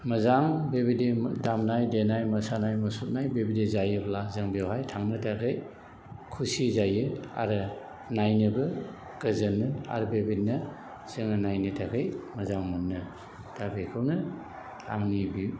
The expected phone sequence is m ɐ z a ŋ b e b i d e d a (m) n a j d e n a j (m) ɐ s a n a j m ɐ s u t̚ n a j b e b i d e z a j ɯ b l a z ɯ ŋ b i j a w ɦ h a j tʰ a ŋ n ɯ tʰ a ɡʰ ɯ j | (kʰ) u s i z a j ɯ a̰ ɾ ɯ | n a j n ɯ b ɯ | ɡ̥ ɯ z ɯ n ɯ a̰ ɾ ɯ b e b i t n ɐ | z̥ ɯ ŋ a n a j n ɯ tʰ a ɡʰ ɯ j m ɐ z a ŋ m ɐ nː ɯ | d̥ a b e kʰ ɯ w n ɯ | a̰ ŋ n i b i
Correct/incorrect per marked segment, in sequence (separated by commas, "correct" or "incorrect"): correct, correct, correct